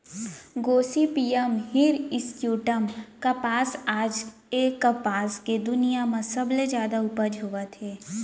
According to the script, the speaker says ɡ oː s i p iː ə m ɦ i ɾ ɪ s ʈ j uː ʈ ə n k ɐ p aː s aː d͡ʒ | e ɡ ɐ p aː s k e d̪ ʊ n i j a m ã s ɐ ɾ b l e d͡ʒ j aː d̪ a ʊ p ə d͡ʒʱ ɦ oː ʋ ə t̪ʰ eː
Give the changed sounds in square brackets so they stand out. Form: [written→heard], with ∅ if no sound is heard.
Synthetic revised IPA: ɡ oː s i p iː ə m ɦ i ɾ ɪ s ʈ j uː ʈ ə [n→m] k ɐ p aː s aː d͡ʒ | e [ɡ→k] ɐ p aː s k e d̪ ʊ n i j a m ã s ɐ [ɾ→∅] b l e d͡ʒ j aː d̪ a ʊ p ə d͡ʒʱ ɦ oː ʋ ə t̪ʰ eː

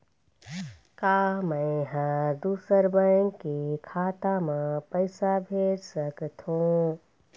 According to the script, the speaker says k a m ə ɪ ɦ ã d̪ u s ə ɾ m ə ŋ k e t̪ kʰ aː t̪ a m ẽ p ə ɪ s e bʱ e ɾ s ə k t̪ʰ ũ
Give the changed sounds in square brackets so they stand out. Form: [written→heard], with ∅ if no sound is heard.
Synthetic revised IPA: k a m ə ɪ ɦ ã d̪ u s ə ɾ [m→b] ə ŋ k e [t̪→∅] kʰ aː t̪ a m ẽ p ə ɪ s [e→a] bʱ e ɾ s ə k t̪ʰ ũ

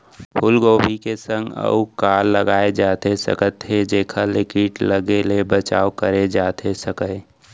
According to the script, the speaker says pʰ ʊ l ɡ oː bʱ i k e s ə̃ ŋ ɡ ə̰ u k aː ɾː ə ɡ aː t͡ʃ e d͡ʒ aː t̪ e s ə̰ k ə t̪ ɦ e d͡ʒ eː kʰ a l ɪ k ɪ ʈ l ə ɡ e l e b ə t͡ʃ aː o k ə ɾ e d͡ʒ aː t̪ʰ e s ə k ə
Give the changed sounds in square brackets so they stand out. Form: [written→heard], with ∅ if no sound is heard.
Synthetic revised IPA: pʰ ʊ l ɡ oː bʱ i k e s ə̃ ŋ ɡ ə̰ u k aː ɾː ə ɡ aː [t͡ʃ→∅] e d͡ʒ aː t̪ e s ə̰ k ə t̪ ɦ e d͡ʒ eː kʰ a l ɪ k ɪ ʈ l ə ɡ e l e b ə t͡ʃ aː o k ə ɾ e d͡ʒ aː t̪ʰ e s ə k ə

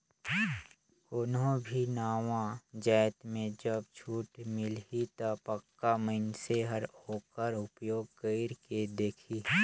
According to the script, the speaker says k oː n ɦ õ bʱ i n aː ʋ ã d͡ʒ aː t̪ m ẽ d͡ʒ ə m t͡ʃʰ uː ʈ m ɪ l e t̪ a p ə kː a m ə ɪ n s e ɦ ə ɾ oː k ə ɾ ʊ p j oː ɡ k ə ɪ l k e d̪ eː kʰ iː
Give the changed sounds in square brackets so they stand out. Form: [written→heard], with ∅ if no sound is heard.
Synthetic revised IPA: k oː n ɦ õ bʱ i n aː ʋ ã d͡ʒ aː t̪ m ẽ d͡ʒ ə [m→b] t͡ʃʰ uː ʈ m ɪ l [e→i] t̪ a p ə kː a m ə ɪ n s e ɦ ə ɾ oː k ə ɾ ʊ p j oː ɡ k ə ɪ [l→ɾ] k e d̪ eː kʰ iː

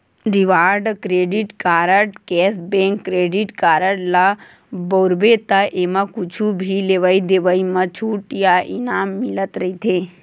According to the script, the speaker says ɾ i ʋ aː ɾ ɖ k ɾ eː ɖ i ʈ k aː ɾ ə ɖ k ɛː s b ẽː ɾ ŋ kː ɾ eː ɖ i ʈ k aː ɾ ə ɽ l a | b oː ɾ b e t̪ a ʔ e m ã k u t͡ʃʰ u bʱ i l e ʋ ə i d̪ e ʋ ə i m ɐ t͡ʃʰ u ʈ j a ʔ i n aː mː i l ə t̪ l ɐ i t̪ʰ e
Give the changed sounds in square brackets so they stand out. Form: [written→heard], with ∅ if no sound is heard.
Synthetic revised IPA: ɾ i ʋ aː ɾ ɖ k ɾ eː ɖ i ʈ k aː ɾ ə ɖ k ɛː s b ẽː [ɾ→∅] ŋ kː ɾ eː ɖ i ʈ k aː ɾ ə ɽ l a | b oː ɾ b e t̪ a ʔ e m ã k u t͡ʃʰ u bʱ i l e ʋ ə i d̪ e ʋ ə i m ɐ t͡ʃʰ u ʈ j a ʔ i n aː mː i l ə t̪ [l→ɾ] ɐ i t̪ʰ e

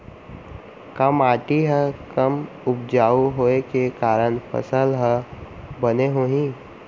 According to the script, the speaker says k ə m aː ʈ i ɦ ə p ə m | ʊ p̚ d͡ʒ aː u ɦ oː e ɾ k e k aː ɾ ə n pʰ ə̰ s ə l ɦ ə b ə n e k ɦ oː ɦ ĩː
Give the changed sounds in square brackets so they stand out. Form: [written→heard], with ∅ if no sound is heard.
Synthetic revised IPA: k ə m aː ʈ i ɦ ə [p→k] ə m | ʊ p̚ d͡ʒ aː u ɦ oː e [ɾ→∅] k e k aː ɾ ə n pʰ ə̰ s ə l ɦ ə b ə n e [k→∅] ɦ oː ɦ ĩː

